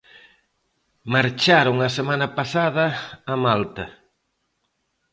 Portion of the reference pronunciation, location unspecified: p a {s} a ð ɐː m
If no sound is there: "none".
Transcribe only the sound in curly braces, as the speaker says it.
s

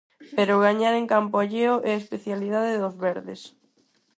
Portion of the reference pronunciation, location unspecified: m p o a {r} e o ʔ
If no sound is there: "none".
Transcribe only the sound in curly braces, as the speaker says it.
ʎ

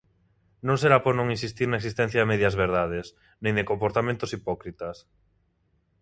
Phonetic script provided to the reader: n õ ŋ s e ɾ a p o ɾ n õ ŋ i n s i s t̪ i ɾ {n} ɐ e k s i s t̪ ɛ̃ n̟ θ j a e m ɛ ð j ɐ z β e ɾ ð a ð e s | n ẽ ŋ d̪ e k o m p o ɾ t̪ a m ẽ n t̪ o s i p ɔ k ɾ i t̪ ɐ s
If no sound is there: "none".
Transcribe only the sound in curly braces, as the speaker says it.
n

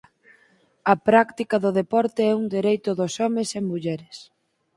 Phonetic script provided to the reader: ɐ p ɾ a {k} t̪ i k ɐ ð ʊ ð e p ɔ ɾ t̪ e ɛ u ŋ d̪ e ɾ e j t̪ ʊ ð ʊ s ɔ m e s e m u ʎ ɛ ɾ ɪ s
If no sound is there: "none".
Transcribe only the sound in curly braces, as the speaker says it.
k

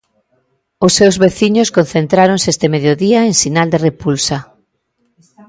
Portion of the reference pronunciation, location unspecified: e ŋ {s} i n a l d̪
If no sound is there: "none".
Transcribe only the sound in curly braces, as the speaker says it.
s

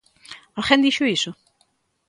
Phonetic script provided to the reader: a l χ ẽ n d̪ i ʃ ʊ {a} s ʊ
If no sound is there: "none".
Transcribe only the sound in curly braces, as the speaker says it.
i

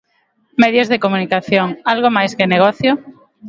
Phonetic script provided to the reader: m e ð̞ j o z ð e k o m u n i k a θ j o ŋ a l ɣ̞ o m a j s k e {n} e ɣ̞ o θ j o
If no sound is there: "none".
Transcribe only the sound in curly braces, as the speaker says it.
n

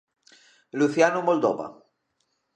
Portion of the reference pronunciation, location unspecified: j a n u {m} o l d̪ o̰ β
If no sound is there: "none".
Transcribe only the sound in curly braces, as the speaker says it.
m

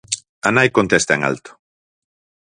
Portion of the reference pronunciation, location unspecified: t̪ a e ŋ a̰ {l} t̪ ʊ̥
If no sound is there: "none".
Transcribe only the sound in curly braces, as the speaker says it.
l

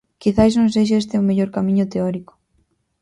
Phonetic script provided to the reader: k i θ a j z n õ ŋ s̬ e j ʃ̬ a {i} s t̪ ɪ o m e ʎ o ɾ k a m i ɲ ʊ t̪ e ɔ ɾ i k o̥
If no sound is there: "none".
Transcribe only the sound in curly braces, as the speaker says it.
e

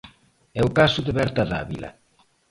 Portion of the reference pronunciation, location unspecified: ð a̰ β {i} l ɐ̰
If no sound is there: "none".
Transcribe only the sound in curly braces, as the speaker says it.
i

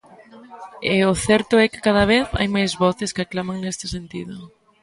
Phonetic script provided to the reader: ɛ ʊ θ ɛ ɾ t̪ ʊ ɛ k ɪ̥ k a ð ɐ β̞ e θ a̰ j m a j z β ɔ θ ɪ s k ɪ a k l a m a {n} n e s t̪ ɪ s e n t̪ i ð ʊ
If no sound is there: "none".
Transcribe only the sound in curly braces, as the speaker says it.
ŋ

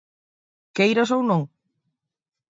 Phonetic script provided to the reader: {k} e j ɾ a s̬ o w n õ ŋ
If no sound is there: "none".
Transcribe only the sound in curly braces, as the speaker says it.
k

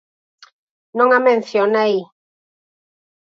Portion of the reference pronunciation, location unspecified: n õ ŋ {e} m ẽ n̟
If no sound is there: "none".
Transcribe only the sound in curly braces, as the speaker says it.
a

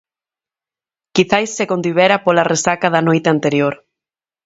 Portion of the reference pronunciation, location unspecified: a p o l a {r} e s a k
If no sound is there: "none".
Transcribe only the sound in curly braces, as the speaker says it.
r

